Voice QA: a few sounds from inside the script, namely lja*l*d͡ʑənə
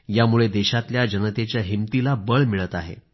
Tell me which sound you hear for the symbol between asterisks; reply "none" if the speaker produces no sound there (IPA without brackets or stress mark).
none